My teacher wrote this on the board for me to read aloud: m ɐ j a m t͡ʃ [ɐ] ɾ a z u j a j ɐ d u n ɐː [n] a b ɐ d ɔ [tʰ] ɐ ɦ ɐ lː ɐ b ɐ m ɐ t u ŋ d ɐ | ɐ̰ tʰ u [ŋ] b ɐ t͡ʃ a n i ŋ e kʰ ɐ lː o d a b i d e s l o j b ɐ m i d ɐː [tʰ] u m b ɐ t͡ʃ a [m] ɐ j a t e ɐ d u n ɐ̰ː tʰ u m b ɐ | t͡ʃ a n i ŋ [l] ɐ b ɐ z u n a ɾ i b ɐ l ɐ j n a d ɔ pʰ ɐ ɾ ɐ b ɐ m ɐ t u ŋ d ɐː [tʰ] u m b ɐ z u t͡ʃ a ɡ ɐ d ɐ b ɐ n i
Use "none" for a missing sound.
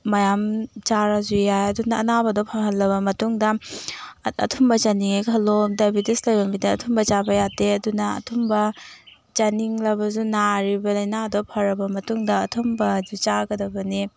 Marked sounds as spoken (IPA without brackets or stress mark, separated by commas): a, n, pʰ, m, tʰ, b, l, tʰ